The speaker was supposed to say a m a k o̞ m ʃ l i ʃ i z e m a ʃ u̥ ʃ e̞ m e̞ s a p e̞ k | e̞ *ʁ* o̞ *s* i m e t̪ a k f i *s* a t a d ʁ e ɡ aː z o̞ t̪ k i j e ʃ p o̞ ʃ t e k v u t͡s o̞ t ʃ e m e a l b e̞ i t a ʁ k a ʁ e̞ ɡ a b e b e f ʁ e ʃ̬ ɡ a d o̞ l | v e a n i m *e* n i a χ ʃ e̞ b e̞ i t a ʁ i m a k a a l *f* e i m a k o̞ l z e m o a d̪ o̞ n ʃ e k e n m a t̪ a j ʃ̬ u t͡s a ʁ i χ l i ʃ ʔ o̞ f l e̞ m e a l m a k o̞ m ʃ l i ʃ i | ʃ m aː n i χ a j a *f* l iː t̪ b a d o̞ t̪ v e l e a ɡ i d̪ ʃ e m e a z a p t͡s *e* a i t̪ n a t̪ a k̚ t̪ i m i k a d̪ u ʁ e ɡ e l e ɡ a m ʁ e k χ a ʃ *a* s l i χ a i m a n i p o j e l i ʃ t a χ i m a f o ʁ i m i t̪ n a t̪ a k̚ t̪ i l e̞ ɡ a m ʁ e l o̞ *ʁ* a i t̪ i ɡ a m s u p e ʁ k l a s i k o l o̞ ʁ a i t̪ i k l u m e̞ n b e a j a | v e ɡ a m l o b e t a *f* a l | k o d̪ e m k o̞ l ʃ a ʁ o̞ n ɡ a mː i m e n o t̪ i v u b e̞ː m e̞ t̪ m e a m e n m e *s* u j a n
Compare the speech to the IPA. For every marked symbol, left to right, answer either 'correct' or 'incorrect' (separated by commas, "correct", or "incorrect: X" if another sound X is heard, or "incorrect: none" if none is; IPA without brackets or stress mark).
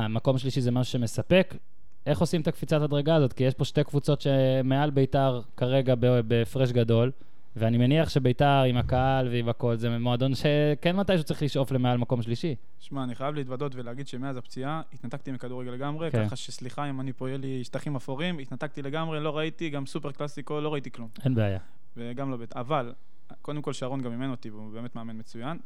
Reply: incorrect: χ, correct, incorrect: t͡s, correct, incorrect: v, incorrect: v, incorrect: i, incorrect: e, correct, incorrect: v, incorrect: t͡s